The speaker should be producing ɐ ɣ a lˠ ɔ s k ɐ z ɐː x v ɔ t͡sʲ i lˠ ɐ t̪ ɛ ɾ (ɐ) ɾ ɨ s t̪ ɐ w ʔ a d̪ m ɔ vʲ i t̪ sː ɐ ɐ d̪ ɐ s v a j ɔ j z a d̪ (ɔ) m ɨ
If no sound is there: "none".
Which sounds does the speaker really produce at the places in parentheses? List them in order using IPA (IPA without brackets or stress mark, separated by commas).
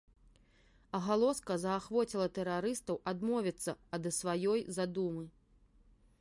a, u